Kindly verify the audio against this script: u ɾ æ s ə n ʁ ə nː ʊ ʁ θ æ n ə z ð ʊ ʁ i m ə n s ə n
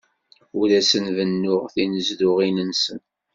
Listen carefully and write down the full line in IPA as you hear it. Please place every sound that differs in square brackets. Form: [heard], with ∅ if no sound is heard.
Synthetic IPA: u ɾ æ s ə n [v] ə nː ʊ ʁ θ [i] n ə z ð ʊ ʁ i [n] ə n s ə n